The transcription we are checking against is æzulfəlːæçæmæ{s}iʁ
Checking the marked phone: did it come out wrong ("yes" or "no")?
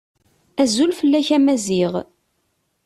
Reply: yes